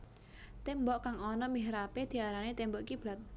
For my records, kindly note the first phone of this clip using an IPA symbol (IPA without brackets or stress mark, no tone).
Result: t̪